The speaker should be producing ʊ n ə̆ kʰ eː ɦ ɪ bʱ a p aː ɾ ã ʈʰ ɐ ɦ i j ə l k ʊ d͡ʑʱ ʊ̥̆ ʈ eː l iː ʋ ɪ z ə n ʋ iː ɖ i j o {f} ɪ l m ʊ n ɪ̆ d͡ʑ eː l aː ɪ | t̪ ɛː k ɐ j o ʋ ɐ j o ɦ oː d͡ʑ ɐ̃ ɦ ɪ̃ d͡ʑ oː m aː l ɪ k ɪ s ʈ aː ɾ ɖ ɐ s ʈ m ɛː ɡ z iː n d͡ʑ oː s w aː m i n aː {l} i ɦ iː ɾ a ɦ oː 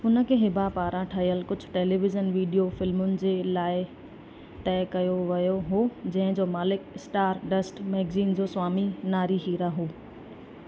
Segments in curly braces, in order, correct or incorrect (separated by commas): correct, incorrect